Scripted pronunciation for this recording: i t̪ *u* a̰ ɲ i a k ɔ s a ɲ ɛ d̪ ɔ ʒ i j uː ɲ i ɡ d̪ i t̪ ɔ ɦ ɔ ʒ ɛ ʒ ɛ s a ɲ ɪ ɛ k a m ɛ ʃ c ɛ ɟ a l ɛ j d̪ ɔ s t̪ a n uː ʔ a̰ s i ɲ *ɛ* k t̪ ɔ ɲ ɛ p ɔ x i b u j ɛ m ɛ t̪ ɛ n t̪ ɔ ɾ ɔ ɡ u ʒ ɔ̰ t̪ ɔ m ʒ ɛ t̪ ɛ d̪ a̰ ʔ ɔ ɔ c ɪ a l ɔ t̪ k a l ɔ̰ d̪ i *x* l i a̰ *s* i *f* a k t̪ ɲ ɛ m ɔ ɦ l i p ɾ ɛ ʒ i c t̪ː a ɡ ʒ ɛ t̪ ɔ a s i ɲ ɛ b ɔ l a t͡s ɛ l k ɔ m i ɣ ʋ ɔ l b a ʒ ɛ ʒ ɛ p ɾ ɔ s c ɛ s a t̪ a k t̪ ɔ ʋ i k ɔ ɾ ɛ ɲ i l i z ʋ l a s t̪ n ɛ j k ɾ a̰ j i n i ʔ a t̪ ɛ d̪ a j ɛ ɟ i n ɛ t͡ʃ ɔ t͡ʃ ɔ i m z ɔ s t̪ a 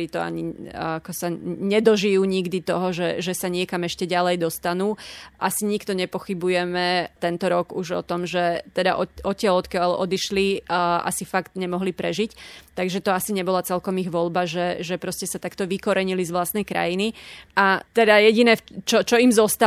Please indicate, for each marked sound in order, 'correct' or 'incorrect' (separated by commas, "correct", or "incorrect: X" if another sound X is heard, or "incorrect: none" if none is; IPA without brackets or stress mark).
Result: incorrect: ɔ, incorrect: i, incorrect: ʃ, correct, correct